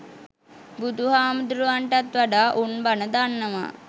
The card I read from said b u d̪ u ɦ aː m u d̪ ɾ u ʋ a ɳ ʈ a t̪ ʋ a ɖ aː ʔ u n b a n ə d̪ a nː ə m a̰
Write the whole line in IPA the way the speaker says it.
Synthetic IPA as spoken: b u d̪ u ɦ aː m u d̪ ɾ u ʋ a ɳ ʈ a t̪ ʋ a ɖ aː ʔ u n b a n ə d̪ a nː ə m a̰